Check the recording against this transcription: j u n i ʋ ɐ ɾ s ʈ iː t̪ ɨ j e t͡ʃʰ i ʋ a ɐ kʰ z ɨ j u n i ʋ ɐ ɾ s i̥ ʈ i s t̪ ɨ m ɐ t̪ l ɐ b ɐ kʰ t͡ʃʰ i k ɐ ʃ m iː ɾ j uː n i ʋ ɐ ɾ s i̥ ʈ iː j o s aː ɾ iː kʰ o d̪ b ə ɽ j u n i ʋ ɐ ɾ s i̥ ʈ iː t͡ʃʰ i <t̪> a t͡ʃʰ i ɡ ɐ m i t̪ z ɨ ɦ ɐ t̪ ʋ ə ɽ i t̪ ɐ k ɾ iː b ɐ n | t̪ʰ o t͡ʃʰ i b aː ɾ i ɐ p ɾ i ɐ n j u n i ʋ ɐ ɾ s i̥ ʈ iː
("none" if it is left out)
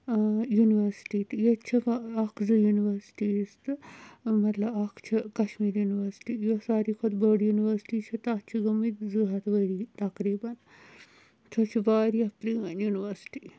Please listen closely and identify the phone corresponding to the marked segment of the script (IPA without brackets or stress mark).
t̪